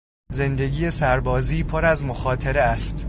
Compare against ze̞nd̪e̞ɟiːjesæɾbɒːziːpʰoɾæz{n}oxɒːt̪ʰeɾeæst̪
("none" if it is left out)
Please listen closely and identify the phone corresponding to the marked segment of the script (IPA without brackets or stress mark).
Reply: m